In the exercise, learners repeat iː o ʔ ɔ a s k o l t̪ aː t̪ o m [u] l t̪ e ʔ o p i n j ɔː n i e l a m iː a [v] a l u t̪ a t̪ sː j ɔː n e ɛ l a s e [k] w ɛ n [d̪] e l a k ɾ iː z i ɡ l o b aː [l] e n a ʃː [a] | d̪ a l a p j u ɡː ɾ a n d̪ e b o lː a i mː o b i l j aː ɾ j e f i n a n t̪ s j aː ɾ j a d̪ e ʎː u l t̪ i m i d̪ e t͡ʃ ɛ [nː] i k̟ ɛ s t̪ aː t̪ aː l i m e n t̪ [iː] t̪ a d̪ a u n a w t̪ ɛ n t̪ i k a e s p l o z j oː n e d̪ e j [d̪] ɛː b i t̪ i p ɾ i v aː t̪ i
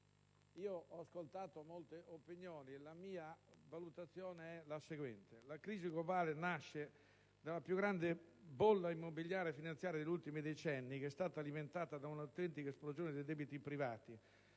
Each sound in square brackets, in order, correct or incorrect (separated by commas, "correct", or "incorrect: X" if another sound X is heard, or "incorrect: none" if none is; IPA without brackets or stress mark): incorrect: o, correct, incorrect: ɡ, incorrect: t̪, correct, incorrect: e, correct, incorrect: aː, correct